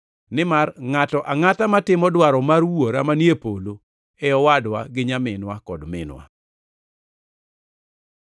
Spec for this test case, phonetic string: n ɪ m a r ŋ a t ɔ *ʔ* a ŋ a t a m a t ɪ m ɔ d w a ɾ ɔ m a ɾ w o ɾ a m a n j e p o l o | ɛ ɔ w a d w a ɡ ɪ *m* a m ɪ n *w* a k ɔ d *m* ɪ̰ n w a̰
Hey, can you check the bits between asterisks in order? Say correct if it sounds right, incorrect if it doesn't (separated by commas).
correct, incorrect, correct, correct